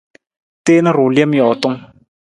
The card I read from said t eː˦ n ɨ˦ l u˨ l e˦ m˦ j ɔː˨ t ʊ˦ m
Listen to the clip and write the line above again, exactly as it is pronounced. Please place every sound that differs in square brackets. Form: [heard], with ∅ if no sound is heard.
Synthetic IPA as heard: t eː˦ n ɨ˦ [ɾ] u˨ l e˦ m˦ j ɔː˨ t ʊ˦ [ŋ]